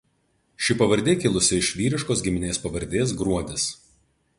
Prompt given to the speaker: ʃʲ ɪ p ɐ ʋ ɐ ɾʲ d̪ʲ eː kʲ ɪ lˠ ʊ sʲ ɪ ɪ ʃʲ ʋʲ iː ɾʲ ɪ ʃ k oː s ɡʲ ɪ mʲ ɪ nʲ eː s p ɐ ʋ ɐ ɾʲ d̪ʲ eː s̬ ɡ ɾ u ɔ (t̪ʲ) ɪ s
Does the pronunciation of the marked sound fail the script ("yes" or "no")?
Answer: yes